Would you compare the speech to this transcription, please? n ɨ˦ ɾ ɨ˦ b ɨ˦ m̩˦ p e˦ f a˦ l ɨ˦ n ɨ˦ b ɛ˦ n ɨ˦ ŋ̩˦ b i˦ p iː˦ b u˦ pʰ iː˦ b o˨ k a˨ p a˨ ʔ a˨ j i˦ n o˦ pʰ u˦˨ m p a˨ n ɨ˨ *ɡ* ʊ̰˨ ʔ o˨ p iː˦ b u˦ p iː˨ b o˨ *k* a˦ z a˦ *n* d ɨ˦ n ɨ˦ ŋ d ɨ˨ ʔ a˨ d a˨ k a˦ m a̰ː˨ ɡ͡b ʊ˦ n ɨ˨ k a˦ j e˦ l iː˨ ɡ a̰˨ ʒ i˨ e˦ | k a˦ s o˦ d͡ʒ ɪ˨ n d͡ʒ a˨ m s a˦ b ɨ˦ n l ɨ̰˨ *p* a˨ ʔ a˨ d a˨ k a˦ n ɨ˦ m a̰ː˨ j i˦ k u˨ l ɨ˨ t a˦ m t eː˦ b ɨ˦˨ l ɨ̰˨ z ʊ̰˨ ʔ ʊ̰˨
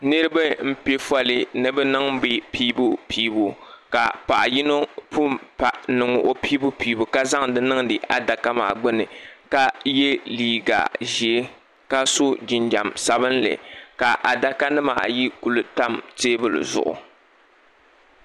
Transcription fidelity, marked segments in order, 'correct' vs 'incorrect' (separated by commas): incorrect, correct, incorrect, incorrect